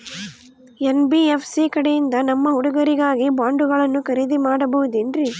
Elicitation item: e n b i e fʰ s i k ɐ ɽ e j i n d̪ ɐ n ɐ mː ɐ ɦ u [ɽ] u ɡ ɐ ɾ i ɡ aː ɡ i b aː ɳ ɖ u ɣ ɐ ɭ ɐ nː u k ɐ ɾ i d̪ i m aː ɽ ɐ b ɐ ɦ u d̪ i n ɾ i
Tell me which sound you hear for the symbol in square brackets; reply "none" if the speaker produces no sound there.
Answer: ɽ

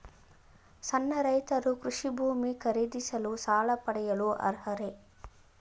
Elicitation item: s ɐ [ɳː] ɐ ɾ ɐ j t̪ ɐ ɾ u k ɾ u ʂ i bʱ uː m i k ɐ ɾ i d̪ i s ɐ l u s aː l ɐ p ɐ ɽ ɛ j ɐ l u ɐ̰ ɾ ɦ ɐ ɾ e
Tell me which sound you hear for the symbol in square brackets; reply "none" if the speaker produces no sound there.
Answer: nː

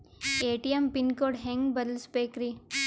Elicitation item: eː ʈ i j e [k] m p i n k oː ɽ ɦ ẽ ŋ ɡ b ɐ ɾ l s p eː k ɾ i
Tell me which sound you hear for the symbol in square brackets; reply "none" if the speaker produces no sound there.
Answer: none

